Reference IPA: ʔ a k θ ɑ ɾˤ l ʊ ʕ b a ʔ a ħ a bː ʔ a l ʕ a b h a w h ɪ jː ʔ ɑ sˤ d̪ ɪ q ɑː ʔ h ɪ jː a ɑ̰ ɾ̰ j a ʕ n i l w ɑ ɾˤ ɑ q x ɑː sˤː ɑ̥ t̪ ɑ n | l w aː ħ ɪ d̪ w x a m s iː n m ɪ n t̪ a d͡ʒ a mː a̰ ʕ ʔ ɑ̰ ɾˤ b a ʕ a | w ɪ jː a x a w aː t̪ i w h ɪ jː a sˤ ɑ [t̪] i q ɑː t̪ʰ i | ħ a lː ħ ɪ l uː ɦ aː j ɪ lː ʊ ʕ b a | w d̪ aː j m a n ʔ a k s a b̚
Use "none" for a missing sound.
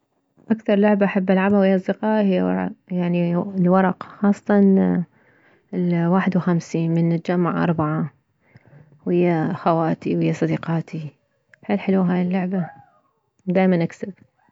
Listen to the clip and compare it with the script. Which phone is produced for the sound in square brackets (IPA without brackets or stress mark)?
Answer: d̪